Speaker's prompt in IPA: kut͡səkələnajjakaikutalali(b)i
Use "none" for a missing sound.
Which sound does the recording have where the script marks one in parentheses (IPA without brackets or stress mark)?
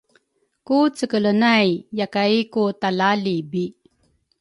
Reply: b